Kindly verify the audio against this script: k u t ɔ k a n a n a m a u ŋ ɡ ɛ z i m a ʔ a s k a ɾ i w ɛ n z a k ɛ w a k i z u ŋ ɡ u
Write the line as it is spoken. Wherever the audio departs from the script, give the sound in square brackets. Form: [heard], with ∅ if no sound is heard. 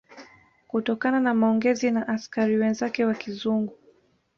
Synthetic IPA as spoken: k u t ɔ k a n a n a m a [ɔ] ŋ ɡ ɛ z i [n] a ʔ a s k a ɾ i w ɛ n z a k ɛ w a k i z u ŋ ɡ u